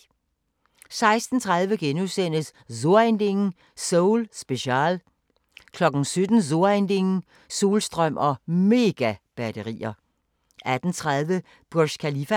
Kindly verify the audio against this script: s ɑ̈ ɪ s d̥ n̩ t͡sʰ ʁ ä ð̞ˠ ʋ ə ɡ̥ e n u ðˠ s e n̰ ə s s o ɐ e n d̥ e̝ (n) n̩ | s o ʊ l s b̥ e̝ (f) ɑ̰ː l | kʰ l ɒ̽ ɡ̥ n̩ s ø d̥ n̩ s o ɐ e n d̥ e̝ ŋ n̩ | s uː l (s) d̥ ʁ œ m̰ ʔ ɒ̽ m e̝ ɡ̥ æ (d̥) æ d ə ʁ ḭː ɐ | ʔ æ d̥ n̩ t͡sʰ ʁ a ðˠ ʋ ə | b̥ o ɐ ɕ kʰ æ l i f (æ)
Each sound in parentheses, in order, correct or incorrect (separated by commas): incorrect, incorrect, correct, incorrect, correct